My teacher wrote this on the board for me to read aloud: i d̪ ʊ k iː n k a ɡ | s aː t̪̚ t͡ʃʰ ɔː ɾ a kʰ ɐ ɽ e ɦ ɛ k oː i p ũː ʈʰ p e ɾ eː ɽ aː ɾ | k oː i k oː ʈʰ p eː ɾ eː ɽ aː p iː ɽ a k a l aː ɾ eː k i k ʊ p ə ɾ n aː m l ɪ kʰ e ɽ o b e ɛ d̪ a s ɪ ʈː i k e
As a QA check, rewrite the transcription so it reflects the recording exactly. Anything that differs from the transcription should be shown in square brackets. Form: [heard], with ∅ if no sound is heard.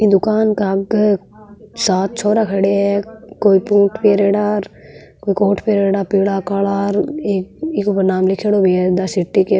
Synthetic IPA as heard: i d̪ ʊ k [aː] n k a ɡ | s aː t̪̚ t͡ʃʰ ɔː ɾ a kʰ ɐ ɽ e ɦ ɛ k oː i p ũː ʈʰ p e ɾ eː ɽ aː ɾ | k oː i k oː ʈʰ p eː ɾ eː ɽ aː p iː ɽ a k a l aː ɾ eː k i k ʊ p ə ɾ n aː m l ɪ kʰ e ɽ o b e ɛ d̪ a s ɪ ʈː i k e